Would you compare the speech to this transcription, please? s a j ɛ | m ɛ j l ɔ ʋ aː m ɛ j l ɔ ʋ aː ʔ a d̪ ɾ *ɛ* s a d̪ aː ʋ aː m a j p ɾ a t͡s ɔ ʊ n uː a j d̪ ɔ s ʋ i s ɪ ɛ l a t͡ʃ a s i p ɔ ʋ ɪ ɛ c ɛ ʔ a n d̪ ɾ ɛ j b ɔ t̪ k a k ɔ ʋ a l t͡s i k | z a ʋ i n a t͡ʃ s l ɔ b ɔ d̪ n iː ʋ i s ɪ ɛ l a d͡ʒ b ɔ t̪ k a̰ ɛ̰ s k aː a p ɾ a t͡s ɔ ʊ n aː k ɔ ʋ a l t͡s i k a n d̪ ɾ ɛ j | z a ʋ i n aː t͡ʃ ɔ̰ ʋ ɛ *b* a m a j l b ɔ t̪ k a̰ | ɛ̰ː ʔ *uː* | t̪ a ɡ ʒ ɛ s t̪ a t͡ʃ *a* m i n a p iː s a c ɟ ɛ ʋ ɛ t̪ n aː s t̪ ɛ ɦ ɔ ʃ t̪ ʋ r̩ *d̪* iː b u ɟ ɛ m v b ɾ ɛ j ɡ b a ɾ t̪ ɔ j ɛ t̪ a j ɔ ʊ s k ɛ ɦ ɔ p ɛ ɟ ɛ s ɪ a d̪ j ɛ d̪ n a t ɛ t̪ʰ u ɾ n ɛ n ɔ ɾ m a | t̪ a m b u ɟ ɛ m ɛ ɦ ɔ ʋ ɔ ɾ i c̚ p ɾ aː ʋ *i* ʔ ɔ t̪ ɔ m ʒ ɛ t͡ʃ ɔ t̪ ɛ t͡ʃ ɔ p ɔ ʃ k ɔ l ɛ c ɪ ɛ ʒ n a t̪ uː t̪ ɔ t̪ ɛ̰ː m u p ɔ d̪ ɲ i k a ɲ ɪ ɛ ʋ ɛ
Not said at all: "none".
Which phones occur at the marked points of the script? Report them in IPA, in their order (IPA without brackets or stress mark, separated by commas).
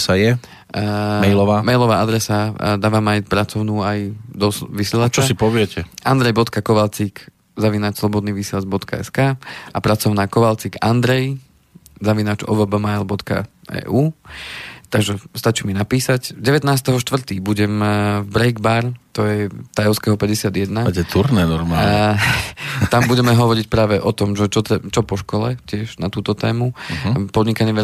ɛ, b, uː, i, t̪, ɛ